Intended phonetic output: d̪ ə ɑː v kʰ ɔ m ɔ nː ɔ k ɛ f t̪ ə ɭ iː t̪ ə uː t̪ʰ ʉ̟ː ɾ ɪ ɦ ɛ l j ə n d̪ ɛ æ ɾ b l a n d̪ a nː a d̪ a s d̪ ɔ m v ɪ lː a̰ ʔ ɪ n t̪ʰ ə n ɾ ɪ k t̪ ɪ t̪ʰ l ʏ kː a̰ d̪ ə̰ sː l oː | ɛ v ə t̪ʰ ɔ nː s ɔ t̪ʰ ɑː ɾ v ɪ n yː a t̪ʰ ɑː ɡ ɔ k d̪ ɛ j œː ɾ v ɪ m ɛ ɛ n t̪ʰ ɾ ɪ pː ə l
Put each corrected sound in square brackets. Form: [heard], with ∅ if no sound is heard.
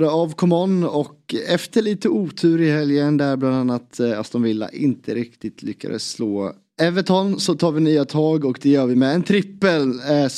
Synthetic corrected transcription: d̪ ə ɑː v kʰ ɔ m ɔ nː ɔ k ɛ f t̪ ə ɭ iː t̪ ə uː t̪ʰ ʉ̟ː ɾ ɪ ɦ ɛ l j ə n d̪ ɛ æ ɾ b l a n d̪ a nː a [t̪] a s d̪ ɔ m v ɪ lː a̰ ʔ ɪ n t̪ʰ ə [∅] ɾ ɪ k t̪ ɪ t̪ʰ l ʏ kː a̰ d̪ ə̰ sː l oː | ɛ v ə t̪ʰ ɔ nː s ɔ t̪ʰ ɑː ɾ v ɪ n yː a t̪ʰ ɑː ɡ ɔ k d̪ ɛ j œː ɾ v ɪ m ɛ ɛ n t̪ʰ ɾ ɪ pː ə l